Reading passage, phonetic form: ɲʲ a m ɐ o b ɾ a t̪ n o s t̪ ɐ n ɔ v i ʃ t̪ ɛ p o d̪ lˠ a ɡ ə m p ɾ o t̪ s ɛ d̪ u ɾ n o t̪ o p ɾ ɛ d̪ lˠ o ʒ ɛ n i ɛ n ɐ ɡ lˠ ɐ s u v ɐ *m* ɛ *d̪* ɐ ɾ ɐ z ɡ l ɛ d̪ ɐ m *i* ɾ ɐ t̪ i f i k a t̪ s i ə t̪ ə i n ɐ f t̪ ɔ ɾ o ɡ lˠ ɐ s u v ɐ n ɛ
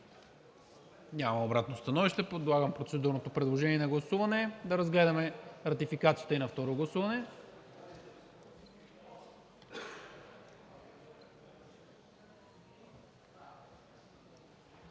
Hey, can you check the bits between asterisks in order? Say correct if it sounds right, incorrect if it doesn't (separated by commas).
incorrect, correct, incorrect